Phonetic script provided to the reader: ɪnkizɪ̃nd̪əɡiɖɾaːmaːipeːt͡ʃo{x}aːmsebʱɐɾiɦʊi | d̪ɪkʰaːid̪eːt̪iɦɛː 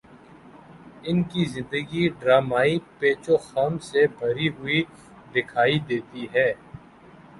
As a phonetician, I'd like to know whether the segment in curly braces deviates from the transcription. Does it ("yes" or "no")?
no